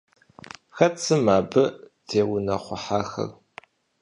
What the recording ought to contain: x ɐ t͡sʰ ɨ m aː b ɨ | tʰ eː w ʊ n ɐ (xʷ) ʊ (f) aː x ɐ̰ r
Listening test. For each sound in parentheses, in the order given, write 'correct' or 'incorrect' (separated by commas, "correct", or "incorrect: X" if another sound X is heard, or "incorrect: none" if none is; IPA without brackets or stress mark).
incorrect: χʷ, incorrect: ħ